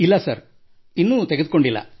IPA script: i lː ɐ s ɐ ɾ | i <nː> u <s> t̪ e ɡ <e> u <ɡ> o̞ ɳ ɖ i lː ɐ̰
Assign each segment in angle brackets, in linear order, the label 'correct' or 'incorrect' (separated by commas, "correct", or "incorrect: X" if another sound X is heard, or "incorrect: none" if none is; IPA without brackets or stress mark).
correct, incorrect: none, correct, incorrect: k